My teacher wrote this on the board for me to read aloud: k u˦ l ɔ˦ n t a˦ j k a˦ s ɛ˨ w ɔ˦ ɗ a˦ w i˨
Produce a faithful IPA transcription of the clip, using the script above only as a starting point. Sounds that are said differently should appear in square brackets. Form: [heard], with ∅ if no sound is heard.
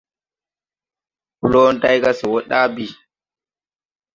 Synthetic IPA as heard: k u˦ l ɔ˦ n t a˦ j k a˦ s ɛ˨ w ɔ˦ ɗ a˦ [b] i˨